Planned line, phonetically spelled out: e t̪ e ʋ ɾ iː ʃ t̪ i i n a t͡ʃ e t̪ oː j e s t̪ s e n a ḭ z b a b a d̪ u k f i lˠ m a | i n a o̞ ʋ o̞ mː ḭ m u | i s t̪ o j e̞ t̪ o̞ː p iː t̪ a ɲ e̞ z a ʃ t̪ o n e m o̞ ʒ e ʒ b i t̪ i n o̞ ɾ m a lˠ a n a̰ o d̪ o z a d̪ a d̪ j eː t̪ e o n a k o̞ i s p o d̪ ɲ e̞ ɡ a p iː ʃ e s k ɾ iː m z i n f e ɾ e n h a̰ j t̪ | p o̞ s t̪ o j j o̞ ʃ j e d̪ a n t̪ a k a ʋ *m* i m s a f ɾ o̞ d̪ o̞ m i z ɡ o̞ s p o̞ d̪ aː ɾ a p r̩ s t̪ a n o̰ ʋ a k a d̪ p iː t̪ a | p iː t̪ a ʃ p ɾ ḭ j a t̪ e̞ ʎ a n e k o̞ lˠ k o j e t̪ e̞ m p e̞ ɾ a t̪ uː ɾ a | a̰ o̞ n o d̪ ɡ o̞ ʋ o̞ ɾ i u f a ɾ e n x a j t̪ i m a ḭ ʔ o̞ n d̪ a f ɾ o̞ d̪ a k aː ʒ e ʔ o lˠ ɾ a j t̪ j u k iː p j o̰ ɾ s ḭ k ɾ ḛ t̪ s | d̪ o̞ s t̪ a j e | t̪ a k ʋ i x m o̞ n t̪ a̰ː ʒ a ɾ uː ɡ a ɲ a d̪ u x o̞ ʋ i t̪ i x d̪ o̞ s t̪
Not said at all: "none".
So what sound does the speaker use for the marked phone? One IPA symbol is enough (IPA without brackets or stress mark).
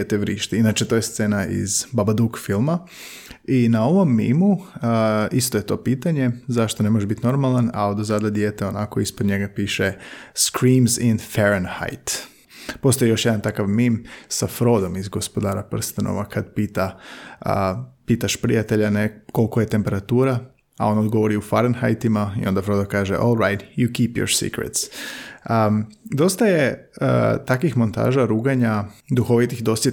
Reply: m